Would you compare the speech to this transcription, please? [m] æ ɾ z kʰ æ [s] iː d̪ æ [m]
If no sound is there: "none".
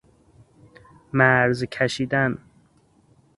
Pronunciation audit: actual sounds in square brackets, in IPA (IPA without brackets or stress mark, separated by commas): m, ʃ, n